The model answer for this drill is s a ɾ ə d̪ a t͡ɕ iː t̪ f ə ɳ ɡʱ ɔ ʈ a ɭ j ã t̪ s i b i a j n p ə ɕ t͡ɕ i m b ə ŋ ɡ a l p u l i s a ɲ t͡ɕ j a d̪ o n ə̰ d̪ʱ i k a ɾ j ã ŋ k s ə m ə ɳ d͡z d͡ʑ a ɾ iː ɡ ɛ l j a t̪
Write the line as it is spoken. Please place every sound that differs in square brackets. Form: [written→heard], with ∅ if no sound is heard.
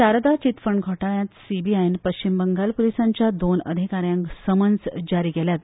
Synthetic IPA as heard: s a ɾ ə d̪ a t͡ɕ [iː→i] t̪ f ə ɳ ɡʱ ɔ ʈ a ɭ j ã t̪ s i b i a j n p ə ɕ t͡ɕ i m b ə ŋ ɡ a l p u l i s a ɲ t͡ɕ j a d̪ o n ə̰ d̪ʱ i k a ɾ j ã ŋ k s ə m ə [ɳ→n] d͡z d͡ʑ a ɾ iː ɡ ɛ l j a t̪

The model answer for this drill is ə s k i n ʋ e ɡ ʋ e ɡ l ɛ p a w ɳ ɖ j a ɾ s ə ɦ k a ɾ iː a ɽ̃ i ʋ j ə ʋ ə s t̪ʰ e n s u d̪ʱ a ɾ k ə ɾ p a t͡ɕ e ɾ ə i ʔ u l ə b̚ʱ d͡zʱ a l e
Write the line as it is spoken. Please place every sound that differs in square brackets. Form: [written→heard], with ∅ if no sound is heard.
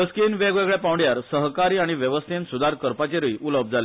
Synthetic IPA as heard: ə s k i n ʋ e ɡ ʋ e ɡ [l→ɭ] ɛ p a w ɳ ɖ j a ɾ s ə ɦ k a ɾ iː a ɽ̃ i ʋ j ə ʋ ə s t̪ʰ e n s u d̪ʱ a ɾ k ə ɾ p a t͡ɕ e ɾ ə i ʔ u l ə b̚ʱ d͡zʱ a l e

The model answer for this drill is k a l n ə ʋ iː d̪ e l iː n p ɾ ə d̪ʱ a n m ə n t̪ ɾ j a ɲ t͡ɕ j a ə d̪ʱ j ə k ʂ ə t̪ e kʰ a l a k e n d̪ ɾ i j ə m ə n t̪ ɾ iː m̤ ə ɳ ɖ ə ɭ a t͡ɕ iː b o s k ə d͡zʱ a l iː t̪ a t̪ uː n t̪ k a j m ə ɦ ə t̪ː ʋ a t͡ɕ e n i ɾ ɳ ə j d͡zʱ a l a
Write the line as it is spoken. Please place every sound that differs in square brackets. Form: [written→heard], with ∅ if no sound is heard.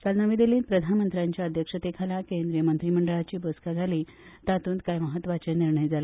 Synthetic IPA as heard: k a l n ə ʋ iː d̪ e l iː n p ɾ ə d̪ʱ a n m ə n t̪ ɾ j a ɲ t͡ɕ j a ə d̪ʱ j ə k ʂ ə t̪ e kʰ a l a k e n d̪ ɾ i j ə m ə n t̪ ɾ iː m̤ ə ɳ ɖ ə ɭ a t͡ɕ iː b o s k [ə→a] d͡zʱ a l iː t̪ a t̪ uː n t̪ k a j m ə ɦ ə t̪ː ʋ a t͡ɕ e n i ɾ ɳ ə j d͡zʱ a l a

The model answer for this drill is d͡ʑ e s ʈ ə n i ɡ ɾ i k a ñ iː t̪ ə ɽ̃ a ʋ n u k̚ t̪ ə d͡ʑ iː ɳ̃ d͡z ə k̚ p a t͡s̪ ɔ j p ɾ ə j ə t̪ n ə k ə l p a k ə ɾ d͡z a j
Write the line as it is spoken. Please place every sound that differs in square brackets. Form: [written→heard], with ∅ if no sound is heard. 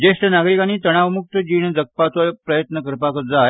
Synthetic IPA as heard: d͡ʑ e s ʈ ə n [i→a] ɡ ɾ i k a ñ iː t̪ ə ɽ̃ a ʋ [n→m] u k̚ t̪ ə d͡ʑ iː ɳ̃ d͡z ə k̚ p a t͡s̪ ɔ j p ɾ ə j ə t̪ n ə k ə [l→ɾ] p a k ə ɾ d͡z a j

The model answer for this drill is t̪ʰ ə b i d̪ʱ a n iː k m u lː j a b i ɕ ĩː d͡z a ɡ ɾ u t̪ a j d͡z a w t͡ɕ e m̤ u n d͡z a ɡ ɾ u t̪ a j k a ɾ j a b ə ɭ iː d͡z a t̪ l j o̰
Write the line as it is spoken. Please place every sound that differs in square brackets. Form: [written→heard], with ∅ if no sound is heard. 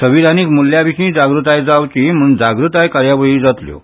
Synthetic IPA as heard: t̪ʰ ə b i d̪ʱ a n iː k m u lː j a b i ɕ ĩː d͡z a ɡ ɾ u t̪ a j d͡z a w t͡ɕ [e→i] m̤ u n d͡z a ɡ ɾ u t̪ a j k a ɾ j a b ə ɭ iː d͡z a t̪ l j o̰

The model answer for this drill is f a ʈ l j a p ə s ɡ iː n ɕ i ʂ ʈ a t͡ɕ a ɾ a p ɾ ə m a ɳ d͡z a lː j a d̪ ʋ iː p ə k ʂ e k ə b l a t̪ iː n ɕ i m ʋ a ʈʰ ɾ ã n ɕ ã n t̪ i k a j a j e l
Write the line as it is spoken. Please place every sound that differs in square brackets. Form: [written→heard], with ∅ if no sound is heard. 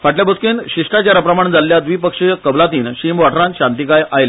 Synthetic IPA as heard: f a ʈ l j a [p→b] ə s [ɡ→k] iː n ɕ i ʂ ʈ a t͡ɕ a ɾ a p ɾ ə m a ɳ d͡z a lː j a d̪ ʋ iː p ə k ʂ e k ə b l a t̪ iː n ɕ i m ʋ a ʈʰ ɾ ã n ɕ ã n t̪ i k a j a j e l

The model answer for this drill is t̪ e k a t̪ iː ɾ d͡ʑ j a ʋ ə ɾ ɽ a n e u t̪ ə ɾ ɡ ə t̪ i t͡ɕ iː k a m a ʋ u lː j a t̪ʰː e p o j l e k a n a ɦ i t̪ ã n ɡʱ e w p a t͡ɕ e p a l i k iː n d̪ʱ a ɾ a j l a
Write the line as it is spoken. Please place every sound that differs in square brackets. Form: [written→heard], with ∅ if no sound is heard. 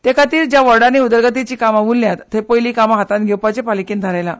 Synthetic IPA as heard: t̪ e k a t̪ iː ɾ d͡ʑ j a ʋ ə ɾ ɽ a n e u [t̪→d̪] ə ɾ ɡ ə t̪ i t͡ɕ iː k a m a ʋ u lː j a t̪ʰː e p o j l [e→i] k a [n→m] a ɦ [i→a] t̪ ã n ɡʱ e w p a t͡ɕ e p a l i k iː n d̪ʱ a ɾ a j l a

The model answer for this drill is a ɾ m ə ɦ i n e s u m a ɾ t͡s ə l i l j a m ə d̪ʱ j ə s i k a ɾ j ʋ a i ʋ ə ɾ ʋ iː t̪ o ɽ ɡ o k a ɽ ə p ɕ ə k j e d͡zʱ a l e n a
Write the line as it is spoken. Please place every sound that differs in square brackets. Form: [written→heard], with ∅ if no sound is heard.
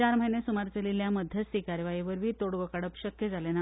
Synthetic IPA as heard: a ɾ m ə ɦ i n e s u m a ɾ t͡s ə l i l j a m ə d̪ʱ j ə s i k a ɾ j ʋ a i ʋ ə ɾ ʋ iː t̪ o ɽ ɡ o k a ɽ ə p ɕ ə k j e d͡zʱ a l e n a

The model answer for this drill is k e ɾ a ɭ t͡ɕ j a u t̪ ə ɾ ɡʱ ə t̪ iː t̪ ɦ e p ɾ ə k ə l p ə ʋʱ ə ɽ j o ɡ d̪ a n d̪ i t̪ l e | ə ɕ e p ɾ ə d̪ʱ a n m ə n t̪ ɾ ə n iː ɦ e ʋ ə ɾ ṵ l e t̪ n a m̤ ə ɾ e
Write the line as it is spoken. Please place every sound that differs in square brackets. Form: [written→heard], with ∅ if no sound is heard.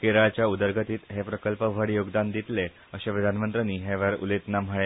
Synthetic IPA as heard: k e ɾ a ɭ t͡ɕ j a u [t̪→d̪] ə ɾ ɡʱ ə t̪ iː t̪ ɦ e p ɾ ə k ə l p ə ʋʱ ə ɽ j o ɡ d̪ a n d̪ i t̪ l e | ə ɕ e p ɾ ə d̪ʱ a n m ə n t̪ ɾ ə n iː ɦ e ʋ ə ɾ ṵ l e t̪ n a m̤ ə [ɾ→ɭ] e

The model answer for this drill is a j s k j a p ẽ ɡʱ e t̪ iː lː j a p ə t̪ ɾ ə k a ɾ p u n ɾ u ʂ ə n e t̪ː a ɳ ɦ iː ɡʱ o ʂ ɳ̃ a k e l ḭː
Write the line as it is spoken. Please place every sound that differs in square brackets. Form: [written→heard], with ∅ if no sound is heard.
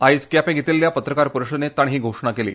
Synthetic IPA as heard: a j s k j a p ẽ ɡʱ e t̪ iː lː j a p ə t̪ ɾ ə k a ɾ p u [n→∅] ɾ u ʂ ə n e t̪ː a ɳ ɦ iː ɡʱ o ʂ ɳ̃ a k e l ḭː

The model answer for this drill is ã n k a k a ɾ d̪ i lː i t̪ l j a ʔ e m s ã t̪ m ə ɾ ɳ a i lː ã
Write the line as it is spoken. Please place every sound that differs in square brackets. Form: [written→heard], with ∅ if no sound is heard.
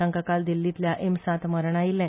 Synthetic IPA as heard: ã [n→ŋ] k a k a [ɾ→l] d̪ i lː i t̪ l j a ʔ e m s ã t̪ m ə ɾ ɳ a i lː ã

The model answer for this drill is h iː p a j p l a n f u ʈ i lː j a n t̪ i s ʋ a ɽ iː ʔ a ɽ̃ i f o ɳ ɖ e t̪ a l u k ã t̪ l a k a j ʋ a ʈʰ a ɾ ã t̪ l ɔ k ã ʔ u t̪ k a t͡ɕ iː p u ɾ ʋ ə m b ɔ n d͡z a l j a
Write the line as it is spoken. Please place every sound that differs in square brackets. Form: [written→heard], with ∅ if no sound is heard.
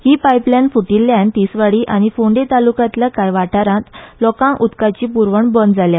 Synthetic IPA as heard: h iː p a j p l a n f u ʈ i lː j a n t̪ i s ʋ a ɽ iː ʔ a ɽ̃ i f o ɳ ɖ e t̪ a l u k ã t̪ l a k a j ʋ a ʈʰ a ɾ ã t̪ l ɔ k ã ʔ u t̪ k a t͡ɕ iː p u ɾ ʋ ə [m→ɳ] b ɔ n d͡z a l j a

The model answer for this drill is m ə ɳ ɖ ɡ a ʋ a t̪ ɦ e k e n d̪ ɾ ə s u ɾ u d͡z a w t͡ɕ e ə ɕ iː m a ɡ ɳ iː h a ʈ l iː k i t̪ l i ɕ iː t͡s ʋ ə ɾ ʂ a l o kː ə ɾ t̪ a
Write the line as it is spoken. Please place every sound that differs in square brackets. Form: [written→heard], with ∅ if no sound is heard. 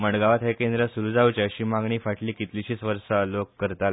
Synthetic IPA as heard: m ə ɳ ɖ ɡ a ʋ a t̪ ɦ e k e n d̪ ɾ ə s u ɾ u d͡z a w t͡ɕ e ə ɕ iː m a ɡ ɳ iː [h→f] a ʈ l iː k i t̪ l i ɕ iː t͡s ʋ ə ɾ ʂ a l o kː ə ɾ t̪ a

